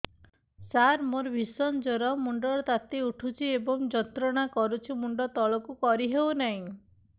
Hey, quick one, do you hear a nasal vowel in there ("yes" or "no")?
yes